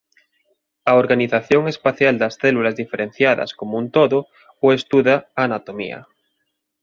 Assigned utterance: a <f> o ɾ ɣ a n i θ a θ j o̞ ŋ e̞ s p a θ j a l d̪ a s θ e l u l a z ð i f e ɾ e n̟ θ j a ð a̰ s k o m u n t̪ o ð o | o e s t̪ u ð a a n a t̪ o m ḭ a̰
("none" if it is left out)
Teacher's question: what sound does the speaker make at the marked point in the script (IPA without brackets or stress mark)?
none